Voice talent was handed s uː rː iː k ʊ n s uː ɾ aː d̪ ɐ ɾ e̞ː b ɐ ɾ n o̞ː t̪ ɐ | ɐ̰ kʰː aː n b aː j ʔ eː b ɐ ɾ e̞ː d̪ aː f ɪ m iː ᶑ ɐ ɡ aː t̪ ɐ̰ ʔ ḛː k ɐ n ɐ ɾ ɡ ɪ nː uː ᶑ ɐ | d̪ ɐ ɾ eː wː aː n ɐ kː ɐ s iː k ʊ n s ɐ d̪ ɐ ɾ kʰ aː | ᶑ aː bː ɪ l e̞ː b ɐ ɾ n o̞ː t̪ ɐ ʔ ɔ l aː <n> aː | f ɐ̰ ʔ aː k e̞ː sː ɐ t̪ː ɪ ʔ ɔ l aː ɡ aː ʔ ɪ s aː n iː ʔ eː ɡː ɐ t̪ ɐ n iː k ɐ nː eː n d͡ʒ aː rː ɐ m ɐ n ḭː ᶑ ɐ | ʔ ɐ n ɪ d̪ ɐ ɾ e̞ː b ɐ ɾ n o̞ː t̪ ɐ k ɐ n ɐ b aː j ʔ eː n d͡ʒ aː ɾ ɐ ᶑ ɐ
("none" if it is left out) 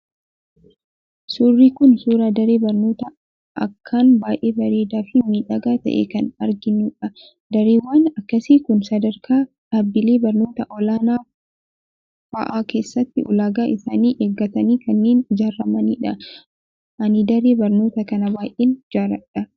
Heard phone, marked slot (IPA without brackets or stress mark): n